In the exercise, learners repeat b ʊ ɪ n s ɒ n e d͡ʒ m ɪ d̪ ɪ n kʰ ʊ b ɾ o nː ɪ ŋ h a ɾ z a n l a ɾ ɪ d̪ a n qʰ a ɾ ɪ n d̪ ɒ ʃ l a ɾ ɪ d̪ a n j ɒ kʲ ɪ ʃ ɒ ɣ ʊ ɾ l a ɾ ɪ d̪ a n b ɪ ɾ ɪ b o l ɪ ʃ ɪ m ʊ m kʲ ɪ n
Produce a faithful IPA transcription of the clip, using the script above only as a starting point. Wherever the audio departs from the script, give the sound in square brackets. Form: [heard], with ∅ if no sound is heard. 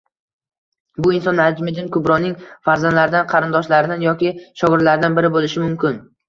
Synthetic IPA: b ʊ ɪ n s ɒ n [a] d͡ʒ m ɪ d̪ ɪ n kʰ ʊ b ɾ [ɒ] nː ɪ ŋ [f] a ɾ z a n l a ɾ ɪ d̪ a n qʰ [ɑ] ɾ ɪ n d̪ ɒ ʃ l a ɾ ɪ d̪ a n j ɒ kʲ ɪ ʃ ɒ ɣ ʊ ɾ l a ɾ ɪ d̪ a n b ɪ ɾ ɪ b o l ɪ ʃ ɪ m ʊ m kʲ ɪ n